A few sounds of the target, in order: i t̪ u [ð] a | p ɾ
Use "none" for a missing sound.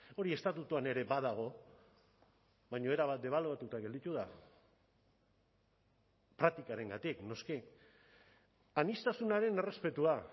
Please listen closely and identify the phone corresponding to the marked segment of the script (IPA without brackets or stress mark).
ð